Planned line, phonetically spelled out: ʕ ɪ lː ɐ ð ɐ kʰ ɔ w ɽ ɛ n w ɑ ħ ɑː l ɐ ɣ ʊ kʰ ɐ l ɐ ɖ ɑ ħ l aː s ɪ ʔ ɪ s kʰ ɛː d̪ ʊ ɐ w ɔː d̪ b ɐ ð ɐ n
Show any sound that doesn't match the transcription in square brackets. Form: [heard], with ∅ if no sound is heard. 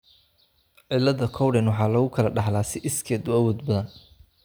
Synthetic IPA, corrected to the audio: ʕ ɪ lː ɐ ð ɐ kʰ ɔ w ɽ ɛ n w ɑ ħ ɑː l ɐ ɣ ʊ kʰ ɐ l ɐ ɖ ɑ ħ l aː s ɪ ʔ ɪ s kʰ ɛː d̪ ʊ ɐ w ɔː d̪ b ɐ ð ɐ n